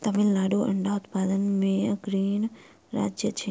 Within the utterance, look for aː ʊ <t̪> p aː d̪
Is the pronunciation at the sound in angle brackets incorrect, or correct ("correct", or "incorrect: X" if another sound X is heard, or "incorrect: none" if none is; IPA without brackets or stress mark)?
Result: correct